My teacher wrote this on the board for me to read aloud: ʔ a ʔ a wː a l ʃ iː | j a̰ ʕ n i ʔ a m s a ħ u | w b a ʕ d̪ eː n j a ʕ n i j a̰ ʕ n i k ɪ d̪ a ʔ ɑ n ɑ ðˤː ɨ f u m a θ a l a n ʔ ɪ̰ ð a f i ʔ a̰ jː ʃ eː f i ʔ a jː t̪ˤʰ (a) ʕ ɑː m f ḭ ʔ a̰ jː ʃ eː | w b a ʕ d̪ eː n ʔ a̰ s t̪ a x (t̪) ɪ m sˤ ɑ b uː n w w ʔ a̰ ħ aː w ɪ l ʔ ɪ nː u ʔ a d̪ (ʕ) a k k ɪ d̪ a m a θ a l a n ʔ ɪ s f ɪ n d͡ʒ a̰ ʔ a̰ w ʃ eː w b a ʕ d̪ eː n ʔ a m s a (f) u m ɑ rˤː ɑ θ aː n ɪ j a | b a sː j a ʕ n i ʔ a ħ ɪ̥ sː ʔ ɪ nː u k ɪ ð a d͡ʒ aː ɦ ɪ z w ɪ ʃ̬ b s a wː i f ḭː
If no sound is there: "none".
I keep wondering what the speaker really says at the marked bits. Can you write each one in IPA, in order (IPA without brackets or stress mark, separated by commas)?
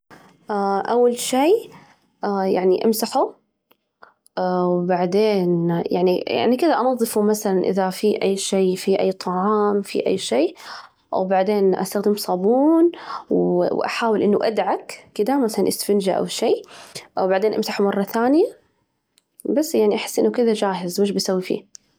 ɑ, d̪, ʕ, ħ